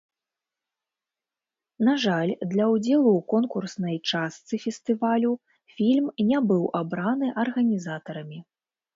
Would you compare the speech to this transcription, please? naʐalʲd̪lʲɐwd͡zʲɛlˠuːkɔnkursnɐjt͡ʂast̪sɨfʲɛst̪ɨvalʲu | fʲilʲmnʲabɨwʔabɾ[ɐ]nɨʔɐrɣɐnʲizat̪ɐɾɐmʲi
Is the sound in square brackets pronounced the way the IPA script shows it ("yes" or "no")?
no